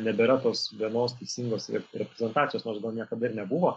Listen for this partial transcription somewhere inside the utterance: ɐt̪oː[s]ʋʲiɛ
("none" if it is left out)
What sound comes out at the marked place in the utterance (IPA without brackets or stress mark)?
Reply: s